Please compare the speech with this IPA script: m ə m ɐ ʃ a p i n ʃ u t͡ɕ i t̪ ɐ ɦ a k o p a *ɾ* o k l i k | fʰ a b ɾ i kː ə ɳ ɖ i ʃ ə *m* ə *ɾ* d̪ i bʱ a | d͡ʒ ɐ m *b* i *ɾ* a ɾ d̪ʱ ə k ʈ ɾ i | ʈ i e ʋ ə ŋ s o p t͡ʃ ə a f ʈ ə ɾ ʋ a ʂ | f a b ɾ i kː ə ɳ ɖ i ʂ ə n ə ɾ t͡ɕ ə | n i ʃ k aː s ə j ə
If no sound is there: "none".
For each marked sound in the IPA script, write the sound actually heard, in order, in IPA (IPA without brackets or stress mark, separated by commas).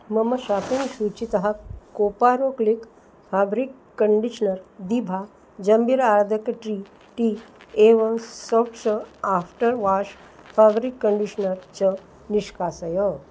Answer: ɾ, n, ɾ, b, ɾ